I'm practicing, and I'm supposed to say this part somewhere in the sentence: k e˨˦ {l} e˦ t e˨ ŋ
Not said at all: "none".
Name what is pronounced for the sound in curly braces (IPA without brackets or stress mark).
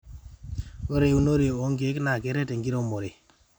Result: ɾ